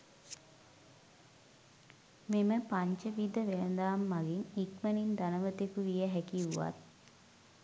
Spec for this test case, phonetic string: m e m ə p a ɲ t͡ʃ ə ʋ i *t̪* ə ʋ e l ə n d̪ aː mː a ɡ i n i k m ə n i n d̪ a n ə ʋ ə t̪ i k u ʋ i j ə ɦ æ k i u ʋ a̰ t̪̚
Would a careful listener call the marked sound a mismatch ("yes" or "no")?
yes